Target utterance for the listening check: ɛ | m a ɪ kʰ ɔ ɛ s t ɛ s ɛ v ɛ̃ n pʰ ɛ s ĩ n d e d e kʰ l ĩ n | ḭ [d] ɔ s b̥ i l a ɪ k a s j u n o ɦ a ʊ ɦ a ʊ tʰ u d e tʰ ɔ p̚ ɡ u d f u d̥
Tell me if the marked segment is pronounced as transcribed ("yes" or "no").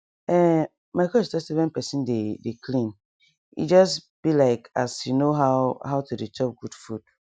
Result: no